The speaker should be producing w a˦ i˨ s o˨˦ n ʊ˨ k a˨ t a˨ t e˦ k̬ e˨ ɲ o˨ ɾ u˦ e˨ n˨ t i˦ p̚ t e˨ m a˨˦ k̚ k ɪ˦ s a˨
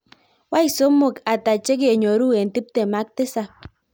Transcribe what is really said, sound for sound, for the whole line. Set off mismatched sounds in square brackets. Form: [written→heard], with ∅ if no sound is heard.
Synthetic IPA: w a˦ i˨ s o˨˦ [n→m] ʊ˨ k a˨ t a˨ [t→t͡ʃ] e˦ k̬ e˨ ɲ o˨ ɾ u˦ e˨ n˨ t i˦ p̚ t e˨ m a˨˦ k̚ [k→t] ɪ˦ s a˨